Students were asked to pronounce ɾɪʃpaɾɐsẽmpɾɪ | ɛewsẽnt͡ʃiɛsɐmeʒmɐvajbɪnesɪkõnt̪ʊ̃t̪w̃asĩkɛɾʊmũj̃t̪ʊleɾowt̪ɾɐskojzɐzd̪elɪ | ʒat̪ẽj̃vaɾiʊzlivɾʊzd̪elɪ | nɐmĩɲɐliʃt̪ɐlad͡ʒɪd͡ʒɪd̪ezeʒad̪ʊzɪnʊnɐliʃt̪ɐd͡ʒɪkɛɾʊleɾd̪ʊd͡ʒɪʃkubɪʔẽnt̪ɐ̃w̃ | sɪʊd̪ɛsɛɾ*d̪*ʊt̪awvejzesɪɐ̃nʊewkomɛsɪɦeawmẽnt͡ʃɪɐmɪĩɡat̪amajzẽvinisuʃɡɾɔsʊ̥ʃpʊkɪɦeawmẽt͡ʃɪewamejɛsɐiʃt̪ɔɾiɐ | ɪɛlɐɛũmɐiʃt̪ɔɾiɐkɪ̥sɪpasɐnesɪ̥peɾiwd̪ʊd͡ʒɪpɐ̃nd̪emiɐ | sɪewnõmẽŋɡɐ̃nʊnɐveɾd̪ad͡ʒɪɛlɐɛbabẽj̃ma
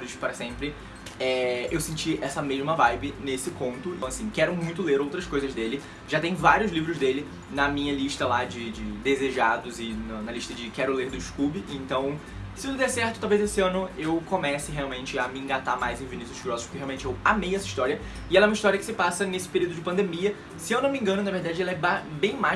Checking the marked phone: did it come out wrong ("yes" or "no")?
yes